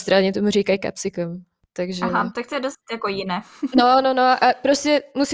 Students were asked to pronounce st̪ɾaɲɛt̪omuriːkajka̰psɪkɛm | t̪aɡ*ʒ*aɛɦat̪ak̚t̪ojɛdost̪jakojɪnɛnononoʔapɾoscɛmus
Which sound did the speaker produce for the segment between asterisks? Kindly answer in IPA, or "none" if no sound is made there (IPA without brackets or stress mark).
ʒ